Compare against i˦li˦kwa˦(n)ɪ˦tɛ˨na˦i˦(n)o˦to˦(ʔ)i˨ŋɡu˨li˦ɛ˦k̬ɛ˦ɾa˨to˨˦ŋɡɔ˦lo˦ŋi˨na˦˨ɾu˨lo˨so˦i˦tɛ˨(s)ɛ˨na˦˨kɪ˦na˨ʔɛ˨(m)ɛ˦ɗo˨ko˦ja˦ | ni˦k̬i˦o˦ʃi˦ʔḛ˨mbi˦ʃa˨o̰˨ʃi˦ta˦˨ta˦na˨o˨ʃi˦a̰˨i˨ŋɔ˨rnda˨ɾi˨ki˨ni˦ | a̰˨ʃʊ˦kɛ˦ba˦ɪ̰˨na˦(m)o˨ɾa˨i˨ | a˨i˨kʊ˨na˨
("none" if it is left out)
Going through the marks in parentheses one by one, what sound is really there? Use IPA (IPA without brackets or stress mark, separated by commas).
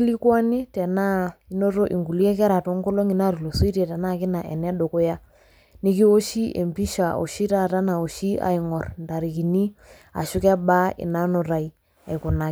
n, n, ʔ, t, n, n